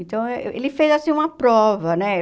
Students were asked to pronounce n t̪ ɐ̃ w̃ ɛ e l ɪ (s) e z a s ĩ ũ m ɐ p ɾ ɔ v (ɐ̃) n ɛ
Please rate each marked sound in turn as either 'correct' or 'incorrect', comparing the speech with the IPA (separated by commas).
incorrect, incorrect